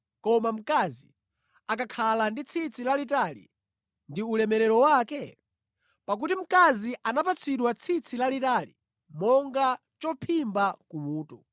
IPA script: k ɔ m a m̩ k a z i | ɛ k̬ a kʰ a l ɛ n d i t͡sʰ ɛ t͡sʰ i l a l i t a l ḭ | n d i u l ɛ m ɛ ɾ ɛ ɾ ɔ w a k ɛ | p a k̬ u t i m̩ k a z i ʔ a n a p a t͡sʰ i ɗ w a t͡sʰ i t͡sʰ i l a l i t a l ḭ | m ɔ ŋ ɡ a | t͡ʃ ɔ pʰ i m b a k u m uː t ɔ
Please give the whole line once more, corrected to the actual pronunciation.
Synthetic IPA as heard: k ɔ m a m̩ k a z i | a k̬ a kʰ a l a n d i t͡sʰ i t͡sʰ i l a l i t a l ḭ | n d i u l ɛ m ɛ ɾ ɛ ɾ ɔ w a k ɛ | p a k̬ u t i m̩ k a z i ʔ a n a p a t͡sʰ i ɗ w a t͡sʰ i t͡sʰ i l a l i t a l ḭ | m ɔ ŋ ɡ a | t͡ʃ ɔ pʰ i m b a k u m uː t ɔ